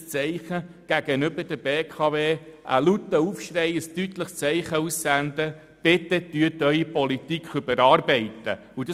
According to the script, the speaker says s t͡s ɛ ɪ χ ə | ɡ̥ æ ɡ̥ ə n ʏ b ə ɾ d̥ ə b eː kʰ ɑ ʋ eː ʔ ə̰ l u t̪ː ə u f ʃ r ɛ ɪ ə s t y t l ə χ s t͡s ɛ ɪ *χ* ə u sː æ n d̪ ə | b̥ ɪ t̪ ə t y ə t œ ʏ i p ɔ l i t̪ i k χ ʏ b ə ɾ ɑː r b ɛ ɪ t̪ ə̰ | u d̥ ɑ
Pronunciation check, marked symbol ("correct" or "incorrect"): correct